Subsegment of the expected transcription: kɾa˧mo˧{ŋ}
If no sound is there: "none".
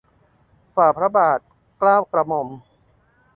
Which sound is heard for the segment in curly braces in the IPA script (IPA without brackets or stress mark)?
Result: m